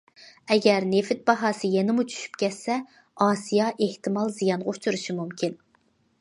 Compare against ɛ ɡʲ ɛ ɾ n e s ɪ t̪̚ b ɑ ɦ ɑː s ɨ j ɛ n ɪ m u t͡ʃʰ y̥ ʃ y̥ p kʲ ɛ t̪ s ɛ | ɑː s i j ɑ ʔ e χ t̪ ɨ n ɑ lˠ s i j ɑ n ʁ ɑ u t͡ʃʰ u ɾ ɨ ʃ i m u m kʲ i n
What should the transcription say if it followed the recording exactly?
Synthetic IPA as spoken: ɛ ɡʲ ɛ ɾ n e f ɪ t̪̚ b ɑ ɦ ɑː s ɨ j ɛ n ɪ m u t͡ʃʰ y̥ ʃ y̥ p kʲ ɛ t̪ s ɛ | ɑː s i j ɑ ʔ e h t̪ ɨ m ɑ lˠ z i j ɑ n ʁ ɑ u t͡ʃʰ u ɾ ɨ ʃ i m u m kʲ i n